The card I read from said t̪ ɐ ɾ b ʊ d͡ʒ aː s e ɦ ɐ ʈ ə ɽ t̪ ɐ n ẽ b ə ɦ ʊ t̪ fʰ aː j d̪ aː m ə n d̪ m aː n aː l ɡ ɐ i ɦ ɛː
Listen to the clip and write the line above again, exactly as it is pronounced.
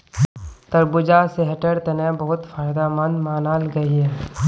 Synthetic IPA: t̪ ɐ ɾ b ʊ d͡ʒ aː s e ɦ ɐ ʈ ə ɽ t̪ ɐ n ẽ b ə ɦ ʊ t̪ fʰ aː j d̪ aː m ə n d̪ m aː n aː l ɡ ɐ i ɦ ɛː